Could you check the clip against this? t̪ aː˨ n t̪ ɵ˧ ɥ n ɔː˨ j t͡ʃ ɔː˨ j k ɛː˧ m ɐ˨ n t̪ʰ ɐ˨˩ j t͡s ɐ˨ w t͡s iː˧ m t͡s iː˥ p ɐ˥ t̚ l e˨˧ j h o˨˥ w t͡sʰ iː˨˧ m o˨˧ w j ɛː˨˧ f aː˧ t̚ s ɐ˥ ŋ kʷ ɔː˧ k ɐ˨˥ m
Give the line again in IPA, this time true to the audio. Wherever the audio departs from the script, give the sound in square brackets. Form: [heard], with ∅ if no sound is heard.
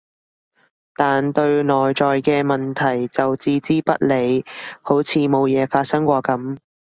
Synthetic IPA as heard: t̪ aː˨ n t̪ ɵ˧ ɥ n ɔː˨ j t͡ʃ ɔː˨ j k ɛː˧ m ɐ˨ n t̪ʰ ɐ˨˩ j t͡s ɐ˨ w t͡s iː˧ [∅] t͡s iː˥ p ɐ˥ t̚ l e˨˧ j h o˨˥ w t͡sʰ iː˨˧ m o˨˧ w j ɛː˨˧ f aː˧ t̚ s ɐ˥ ŋ kʷ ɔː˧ k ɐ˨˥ m